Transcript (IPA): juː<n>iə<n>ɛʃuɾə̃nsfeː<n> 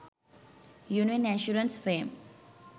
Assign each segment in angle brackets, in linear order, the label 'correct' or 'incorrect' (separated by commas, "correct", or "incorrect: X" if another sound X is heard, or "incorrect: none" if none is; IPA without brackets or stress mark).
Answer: correct, correct, incorrect: m